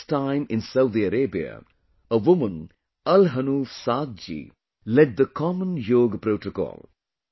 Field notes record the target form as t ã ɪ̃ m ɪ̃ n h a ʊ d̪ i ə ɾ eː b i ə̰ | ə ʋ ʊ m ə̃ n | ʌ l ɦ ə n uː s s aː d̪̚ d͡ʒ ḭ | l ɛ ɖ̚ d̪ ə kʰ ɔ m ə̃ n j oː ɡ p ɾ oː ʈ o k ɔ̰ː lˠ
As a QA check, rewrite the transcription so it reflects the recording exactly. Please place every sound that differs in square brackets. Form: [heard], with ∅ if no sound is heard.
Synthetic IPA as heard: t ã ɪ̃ m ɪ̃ n [s] a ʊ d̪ i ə ɾ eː b i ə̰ | ə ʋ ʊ m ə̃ n | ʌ l ɦ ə n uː [f] s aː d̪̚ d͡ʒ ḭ | l ɛ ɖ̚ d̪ ə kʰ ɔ m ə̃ n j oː ɡ p ɾ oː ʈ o k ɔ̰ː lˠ